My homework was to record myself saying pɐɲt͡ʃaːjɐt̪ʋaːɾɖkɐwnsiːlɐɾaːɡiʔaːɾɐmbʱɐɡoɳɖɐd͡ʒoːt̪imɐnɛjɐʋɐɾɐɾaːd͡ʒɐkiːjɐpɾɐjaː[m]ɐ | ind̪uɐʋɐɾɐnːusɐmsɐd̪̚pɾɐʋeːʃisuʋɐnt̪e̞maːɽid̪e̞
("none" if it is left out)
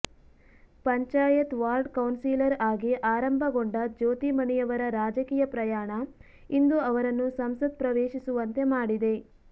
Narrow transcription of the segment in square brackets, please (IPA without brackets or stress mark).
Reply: ɳ